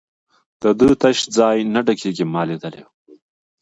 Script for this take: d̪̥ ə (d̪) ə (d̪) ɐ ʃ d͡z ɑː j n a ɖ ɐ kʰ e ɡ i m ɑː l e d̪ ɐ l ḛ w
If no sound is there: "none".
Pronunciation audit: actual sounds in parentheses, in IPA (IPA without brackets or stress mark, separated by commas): d̪, t̪